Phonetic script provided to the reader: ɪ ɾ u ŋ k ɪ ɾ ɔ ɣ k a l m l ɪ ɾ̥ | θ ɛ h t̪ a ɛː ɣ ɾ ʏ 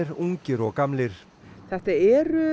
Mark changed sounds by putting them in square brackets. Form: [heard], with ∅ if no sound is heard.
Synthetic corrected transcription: ɪ ɾ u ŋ [c] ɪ ɾ ɔ ɣ k a [∅] m l ɪ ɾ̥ | θ ɛ h t̪ a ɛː [∅] ɾ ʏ